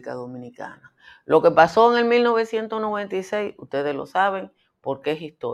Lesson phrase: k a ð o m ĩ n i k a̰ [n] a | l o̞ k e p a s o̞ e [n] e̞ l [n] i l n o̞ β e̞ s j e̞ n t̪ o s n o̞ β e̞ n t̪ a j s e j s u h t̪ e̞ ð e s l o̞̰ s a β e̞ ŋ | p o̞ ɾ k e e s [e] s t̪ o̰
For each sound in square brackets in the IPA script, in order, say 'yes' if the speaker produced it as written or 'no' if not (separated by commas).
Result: yes, no, no, no